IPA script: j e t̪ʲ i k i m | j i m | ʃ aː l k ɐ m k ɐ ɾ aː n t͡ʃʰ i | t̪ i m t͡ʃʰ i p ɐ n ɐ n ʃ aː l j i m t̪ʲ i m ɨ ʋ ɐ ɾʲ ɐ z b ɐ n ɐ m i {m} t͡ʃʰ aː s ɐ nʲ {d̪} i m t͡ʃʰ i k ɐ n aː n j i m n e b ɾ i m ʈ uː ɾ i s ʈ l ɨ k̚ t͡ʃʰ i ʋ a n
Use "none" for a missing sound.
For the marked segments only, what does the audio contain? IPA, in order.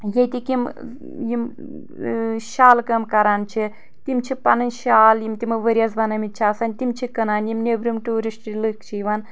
none, t̪

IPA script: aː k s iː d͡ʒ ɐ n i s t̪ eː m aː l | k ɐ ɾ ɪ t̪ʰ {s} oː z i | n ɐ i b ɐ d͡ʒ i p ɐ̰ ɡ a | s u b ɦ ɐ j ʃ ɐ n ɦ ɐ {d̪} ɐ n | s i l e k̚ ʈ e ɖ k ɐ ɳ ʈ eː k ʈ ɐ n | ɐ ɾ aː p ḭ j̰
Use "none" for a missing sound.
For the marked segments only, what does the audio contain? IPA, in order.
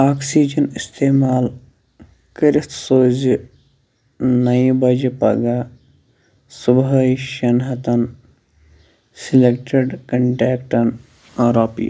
s, t̪

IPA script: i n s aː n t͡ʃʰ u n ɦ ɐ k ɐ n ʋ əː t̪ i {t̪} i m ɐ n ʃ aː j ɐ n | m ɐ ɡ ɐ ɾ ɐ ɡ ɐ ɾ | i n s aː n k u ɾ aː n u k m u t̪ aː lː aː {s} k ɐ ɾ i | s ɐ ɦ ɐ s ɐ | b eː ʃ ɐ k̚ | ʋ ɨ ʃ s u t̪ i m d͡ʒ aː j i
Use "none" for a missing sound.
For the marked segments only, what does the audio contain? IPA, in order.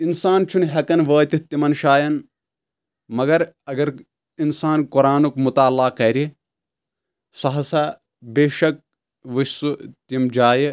t̪, none

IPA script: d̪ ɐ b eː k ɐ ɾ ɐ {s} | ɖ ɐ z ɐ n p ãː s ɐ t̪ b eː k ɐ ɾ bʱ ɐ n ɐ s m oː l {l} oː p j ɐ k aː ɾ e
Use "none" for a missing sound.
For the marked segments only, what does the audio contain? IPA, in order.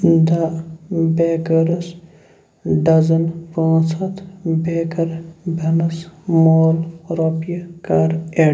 s, ɾ

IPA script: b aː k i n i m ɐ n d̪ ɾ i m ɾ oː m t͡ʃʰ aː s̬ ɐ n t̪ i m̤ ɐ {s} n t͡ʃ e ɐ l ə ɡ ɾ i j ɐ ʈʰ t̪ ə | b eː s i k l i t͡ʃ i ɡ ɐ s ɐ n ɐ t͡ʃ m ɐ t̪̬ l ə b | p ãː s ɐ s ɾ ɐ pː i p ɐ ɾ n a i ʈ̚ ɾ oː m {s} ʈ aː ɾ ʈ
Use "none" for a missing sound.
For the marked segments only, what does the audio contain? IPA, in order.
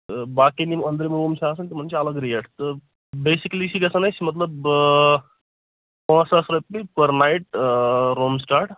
none, s

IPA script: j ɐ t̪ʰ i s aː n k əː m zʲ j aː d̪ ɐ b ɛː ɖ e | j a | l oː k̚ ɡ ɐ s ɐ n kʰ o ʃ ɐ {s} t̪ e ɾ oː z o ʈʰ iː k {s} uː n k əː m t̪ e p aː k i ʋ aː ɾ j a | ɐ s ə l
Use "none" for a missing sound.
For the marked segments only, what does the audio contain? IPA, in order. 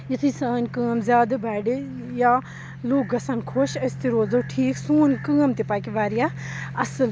s, s

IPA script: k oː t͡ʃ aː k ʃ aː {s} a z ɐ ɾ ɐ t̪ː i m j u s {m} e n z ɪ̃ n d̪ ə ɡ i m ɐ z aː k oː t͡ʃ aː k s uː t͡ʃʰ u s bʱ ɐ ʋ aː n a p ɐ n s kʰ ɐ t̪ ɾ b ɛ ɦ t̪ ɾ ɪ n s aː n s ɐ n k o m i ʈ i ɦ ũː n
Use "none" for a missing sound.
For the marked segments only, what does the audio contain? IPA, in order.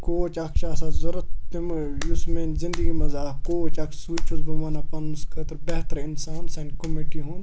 s, m

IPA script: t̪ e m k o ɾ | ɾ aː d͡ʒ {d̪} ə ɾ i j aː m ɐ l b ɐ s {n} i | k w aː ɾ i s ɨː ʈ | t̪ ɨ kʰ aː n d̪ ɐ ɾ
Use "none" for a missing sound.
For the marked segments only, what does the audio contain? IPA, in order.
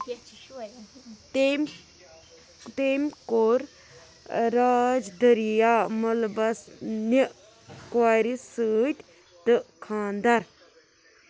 d̪, n

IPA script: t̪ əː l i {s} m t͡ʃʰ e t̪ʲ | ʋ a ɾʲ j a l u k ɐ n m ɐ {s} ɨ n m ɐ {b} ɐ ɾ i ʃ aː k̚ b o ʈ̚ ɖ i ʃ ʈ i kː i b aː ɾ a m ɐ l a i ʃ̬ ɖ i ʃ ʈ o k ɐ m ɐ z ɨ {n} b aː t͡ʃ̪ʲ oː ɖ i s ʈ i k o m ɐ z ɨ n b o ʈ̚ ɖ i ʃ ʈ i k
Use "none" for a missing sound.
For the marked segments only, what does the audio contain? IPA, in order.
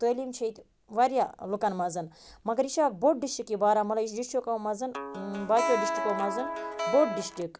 none, z, ɡ, n

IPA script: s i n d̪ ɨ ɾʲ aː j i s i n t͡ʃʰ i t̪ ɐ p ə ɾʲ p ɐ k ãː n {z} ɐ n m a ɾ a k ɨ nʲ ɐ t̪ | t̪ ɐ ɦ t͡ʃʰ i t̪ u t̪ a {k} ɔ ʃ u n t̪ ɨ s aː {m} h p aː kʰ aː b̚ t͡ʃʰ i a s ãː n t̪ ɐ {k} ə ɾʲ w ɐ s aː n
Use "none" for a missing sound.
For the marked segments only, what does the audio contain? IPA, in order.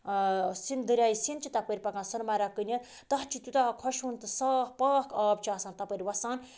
s, kʰ, none, p

